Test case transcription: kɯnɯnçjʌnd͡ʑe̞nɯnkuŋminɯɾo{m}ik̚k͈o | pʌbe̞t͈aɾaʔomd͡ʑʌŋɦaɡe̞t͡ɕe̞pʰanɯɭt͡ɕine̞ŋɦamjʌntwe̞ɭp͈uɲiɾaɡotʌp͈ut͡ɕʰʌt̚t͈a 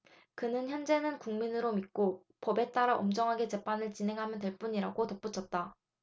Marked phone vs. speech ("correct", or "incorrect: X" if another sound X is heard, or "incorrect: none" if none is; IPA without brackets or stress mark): correct